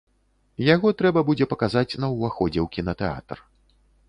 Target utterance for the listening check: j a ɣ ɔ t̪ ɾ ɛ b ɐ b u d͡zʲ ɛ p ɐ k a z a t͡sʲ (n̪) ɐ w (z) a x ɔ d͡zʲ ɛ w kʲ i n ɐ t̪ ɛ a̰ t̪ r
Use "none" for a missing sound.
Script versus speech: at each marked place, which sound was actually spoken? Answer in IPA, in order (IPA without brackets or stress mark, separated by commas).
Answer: n̪, v